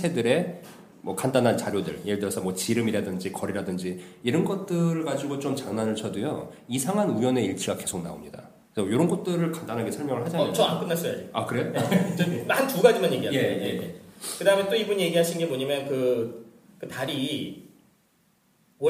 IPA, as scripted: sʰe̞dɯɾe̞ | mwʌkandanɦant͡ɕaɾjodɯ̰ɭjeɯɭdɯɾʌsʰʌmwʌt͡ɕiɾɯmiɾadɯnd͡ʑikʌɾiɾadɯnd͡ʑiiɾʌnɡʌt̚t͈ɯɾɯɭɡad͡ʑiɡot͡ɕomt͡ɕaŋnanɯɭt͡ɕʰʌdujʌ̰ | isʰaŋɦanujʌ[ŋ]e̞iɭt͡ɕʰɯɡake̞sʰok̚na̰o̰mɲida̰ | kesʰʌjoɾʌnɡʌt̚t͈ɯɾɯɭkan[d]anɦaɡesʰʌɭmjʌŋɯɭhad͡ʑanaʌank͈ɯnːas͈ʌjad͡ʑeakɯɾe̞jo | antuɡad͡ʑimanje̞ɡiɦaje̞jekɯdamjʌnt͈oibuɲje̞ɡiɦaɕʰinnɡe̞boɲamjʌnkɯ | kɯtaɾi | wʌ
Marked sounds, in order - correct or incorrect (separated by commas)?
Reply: incorrect, correct